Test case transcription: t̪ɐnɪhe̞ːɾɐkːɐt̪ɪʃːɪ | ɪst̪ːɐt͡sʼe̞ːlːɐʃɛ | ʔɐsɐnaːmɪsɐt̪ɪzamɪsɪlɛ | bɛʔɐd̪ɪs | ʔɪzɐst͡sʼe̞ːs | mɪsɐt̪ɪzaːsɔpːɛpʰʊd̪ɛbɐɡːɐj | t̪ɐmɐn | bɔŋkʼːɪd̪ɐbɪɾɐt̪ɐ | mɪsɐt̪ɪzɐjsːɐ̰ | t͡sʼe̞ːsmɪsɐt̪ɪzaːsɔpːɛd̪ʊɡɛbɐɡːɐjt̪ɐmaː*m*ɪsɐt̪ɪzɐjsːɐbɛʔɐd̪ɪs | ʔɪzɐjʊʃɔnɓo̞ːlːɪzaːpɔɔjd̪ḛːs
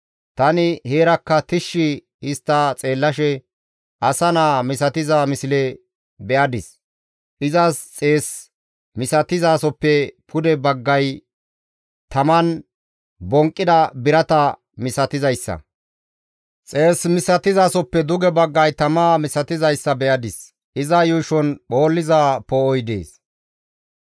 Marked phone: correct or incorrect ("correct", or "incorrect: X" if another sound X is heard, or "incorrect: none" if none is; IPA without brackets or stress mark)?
correct